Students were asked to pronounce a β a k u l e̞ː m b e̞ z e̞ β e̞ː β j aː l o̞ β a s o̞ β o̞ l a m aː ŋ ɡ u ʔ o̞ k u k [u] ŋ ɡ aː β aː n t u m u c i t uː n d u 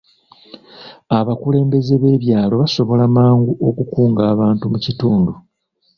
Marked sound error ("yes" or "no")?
yes